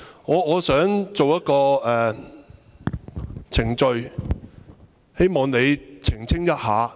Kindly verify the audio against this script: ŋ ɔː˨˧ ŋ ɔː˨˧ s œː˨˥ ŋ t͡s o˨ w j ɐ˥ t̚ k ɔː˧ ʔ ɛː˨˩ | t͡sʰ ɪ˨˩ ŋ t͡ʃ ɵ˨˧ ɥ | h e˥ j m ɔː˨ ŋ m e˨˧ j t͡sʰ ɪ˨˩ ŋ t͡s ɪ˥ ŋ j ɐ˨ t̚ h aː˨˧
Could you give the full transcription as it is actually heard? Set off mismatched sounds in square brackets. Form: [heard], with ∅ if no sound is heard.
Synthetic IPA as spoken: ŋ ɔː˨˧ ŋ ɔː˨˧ s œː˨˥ ŋ t͡s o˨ w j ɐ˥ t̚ k ɔː˧ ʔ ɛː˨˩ | t͡sʰ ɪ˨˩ ŋ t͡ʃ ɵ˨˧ ɥ | h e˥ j m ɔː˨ ŋ [n] e˨˧ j t͡sʰ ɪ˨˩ ŋ [t͡sʰ] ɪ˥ ŋ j [ɐ˥] t̚ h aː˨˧